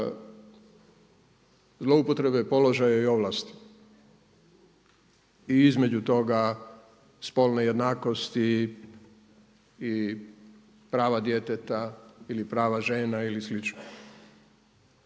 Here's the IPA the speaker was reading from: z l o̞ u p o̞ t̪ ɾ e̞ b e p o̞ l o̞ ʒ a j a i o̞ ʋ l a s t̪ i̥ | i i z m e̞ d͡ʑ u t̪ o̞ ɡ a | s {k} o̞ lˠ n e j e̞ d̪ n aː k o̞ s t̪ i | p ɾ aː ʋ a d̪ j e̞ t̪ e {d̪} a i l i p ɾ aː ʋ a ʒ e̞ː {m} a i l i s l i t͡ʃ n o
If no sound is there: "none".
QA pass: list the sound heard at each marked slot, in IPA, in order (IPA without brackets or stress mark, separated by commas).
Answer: p, t̪, n